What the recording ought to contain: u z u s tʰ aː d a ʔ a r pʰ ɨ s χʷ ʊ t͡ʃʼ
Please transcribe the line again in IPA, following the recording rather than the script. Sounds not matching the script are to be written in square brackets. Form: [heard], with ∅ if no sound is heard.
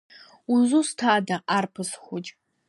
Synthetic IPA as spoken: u z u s tʰ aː d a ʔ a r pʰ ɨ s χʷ ʊ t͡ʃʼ